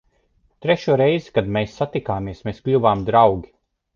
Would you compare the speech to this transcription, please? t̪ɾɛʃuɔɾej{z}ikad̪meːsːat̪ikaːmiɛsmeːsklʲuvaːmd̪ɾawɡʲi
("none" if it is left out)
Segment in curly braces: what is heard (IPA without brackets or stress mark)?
z